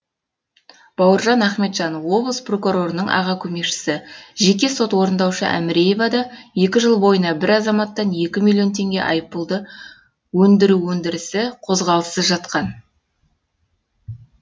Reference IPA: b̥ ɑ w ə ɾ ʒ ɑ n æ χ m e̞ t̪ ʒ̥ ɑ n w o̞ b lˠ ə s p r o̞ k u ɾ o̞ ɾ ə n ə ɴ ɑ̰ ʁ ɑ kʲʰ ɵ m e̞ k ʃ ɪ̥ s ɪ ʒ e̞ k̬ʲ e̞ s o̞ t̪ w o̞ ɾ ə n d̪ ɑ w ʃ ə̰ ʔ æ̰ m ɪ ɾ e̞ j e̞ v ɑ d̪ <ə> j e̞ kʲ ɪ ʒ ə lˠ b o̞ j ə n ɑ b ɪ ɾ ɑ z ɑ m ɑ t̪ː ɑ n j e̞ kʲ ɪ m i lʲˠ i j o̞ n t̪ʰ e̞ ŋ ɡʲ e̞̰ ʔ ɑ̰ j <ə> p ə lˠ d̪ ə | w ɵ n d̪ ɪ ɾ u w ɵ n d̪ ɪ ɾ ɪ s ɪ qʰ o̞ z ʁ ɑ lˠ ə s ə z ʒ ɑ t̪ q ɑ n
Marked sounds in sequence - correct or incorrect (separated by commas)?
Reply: incorrect, correct